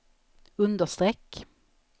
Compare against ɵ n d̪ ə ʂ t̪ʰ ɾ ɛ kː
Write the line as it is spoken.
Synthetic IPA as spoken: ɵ n d̪ ə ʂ t̪ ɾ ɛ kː